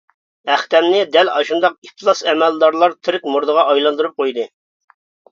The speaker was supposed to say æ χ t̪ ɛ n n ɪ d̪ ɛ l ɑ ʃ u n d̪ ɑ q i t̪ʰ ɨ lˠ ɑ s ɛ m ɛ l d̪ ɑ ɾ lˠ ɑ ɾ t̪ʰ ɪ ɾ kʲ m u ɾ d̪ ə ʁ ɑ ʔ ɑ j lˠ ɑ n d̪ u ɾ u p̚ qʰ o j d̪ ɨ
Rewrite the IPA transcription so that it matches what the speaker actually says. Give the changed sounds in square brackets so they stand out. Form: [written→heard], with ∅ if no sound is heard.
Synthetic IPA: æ χ t̪ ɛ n n ɪ d̪ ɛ l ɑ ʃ u n d̪ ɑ q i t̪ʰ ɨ lˠ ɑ s ɛ m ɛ l d̪ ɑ ɾ lˠ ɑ ɾ t̪ʰ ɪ ɾ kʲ m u ɾ d̪ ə ʁ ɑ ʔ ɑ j lˠ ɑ n d̪ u ɾ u p̚ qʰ o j d̪ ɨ